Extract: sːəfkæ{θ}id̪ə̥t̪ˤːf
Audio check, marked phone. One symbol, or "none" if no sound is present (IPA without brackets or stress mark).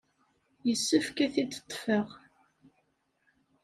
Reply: θ